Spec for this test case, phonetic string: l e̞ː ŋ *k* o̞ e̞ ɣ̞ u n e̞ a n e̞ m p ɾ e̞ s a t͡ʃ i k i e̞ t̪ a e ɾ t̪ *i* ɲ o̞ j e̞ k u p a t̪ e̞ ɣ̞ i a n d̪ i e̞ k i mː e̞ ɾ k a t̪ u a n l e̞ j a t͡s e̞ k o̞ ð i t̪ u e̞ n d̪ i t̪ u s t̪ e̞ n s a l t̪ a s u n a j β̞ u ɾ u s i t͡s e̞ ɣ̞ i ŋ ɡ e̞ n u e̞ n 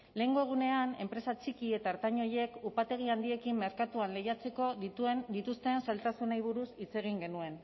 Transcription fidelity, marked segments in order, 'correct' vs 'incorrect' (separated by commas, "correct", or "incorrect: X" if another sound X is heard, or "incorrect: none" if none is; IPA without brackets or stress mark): incorrect: ɡ, incorrect: a